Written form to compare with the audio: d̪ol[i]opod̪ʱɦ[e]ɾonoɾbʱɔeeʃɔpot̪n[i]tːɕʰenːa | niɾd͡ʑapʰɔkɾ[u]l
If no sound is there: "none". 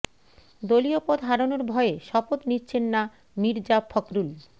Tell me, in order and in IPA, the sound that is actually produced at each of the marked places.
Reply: i, a, i, u

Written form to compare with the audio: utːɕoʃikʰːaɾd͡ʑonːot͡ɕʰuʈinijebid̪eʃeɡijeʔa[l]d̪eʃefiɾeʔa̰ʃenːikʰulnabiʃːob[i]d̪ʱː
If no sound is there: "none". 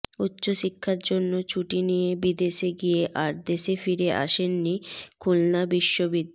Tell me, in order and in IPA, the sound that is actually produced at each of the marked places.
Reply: ɾ, i

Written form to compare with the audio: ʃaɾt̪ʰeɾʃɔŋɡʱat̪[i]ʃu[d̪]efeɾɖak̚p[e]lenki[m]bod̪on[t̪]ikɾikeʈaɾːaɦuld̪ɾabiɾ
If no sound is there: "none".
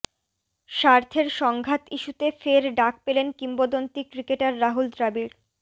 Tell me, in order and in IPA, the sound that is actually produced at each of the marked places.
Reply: i, t̪, e, m, t̪

